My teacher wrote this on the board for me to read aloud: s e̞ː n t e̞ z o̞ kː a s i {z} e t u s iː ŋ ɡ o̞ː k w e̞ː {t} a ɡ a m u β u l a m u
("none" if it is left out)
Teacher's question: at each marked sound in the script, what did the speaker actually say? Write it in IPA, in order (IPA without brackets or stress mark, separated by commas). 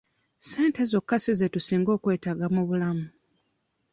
z, t